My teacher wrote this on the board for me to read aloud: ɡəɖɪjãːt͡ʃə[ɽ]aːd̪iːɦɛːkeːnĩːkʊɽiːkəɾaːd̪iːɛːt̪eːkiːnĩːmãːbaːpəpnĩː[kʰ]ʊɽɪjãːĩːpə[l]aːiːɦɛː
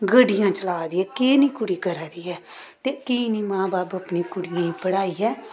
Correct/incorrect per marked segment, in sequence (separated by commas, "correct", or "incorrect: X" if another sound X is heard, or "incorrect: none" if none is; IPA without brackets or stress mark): incorrect: l, incorrect: k, incorrect: ɽ